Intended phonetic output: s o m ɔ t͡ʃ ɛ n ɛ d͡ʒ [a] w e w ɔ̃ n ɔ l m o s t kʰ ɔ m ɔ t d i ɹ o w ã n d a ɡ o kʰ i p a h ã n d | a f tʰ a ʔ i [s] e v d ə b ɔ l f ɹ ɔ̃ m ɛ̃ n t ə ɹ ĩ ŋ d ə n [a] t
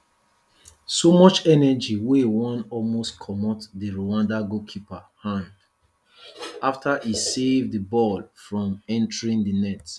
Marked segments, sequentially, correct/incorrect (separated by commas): incorrect, correct, incorrect